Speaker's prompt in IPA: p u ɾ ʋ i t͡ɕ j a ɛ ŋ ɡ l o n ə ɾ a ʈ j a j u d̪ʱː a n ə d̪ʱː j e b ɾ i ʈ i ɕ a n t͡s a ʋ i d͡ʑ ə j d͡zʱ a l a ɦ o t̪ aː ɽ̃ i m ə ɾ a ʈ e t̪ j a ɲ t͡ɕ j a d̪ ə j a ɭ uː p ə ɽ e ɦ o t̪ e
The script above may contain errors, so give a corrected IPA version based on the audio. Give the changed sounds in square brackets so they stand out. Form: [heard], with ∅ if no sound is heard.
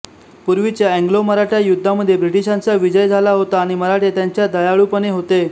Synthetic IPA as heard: p u ɾ ʋ i t͡ɕ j a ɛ ŋ ɡ l o [m] ə ɾ a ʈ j a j u d̪ʱː a [m] ə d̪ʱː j e b ɾ i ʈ i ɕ a n t͡s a ʋ i d͡ʑ ə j d͡zʱ a l a ɦ o t̪ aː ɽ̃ i m ə ɾ a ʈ e t̪ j a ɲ t͡ɕ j a d̪ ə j a ɭ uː p ə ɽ e ɦ o t̪ e